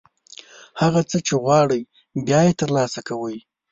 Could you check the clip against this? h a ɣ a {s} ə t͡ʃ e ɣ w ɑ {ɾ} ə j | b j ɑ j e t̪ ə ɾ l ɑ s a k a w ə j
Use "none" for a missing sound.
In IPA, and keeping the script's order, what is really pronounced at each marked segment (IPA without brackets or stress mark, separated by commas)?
t͡s, ɽ